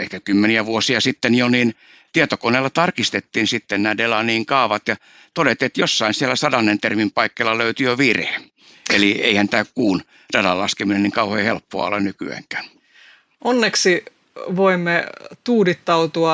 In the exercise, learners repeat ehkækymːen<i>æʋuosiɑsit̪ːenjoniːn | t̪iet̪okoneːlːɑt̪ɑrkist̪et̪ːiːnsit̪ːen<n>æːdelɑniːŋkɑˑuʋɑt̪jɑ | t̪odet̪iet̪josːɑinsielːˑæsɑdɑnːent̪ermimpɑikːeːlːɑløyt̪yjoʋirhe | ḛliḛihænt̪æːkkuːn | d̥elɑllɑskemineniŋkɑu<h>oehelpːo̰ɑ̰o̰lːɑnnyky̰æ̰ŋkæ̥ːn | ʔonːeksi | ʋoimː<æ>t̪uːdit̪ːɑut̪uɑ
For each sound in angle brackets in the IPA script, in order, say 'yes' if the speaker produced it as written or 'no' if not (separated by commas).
yes, yes, yes, no